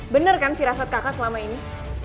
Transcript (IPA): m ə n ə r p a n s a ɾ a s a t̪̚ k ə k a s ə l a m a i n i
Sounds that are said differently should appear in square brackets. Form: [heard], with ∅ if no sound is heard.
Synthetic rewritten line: [b] ə n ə r [k] a n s [i] ɾ a s a t̪̚ k [a] k a s ə l a m a i n i